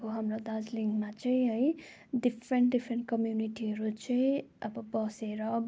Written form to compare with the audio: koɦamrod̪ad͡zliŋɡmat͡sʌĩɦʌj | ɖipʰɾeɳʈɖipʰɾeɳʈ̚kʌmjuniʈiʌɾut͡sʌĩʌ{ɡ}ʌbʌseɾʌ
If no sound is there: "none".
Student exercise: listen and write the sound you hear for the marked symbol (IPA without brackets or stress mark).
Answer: b